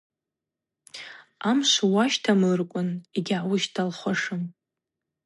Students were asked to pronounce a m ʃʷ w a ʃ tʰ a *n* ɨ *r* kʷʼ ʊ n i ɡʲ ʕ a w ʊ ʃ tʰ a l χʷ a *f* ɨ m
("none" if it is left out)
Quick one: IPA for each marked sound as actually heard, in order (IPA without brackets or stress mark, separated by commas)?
m, r, ʂ